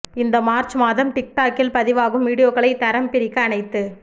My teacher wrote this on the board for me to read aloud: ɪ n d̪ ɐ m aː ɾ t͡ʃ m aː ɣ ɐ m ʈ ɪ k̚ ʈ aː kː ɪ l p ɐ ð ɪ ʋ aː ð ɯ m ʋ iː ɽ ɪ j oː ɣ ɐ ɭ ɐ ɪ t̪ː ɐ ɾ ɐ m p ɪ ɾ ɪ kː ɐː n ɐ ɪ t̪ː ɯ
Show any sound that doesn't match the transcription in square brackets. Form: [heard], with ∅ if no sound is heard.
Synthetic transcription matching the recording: ɪ n d̪ ɐ m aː ɾ t͡ʃ m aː [ð] ɐ m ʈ ɪ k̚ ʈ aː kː ɪ l p ɐ ð ɪ ʋ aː [ɣ] ɯ m ʋ iː ɽ ɪ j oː ɣ ɐ ɭ ɐ ɪ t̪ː ɐ ɾ ɐ m p ɪ ɾ ɪ kː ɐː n ɐ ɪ t̪ː ɯ